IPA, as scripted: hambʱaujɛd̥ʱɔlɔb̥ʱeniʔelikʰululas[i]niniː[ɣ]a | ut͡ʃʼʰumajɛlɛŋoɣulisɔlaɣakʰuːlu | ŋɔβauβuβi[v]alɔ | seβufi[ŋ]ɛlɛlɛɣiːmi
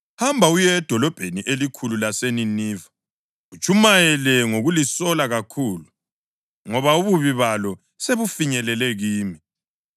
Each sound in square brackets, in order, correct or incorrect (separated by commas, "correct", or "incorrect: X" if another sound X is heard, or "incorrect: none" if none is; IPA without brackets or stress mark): incorrect: e, incorrect: v, incorrect: β, incorrect: ɲ